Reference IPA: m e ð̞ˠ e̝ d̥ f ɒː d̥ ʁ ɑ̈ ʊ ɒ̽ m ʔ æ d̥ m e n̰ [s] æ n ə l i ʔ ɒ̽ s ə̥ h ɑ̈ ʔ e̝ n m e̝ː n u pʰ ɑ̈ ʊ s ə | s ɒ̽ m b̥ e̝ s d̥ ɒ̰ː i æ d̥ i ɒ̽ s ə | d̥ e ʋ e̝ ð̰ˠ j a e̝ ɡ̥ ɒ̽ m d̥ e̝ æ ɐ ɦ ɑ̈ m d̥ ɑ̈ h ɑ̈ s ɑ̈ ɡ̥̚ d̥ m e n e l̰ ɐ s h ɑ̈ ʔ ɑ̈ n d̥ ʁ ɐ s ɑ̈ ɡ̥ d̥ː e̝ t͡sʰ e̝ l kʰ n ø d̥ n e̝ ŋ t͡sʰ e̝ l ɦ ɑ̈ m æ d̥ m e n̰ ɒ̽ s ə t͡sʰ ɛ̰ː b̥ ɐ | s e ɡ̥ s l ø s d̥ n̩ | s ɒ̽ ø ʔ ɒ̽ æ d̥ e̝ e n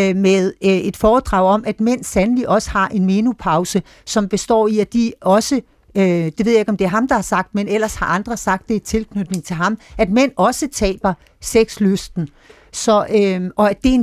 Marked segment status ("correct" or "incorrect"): correct